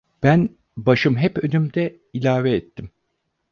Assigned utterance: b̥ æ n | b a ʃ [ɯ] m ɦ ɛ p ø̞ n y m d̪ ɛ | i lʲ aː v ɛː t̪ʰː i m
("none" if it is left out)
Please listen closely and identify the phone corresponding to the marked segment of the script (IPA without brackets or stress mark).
ɯ